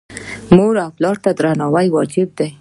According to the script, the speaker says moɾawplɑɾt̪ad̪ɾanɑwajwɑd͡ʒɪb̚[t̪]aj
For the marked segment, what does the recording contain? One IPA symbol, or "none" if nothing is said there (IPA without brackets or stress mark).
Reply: d̪